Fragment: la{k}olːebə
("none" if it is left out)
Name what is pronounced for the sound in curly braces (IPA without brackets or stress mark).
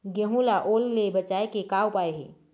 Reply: ʔ